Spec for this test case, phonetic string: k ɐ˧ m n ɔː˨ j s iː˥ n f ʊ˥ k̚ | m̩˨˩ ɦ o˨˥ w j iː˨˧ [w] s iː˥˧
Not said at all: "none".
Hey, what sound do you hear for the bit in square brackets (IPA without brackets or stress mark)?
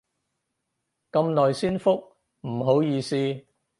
none